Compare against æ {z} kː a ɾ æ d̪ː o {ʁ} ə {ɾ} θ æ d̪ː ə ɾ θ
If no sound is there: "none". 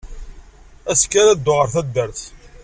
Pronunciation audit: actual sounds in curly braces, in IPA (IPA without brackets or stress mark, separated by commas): s, ʁ, ɾ